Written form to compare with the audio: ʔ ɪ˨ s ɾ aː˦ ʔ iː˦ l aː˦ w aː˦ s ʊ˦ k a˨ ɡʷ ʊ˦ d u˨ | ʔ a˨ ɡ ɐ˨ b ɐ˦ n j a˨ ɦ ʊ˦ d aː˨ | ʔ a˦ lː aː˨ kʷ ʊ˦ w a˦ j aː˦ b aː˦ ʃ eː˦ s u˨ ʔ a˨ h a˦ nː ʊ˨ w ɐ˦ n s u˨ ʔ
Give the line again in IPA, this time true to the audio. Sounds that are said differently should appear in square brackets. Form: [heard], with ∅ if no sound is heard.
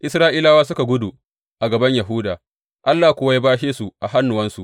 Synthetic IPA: ʔ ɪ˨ s ɾ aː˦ ʔ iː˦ l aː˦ w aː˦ s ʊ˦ k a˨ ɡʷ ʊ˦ d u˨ | ʔ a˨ ɡ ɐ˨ b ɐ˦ [ɲ] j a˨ ɦ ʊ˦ d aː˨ | ʔ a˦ lː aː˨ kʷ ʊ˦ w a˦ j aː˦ b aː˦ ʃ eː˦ s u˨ ʔ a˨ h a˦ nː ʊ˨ w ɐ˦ n s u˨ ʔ